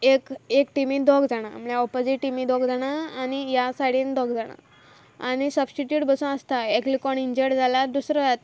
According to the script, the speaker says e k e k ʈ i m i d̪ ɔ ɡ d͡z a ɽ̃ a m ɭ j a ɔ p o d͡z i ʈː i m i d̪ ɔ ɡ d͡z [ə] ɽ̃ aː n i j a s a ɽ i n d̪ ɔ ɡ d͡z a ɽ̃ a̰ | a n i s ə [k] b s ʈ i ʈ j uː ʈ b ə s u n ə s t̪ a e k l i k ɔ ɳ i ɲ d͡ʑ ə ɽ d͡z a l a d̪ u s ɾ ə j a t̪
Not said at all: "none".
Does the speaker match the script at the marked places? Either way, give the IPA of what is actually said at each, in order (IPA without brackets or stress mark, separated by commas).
a, none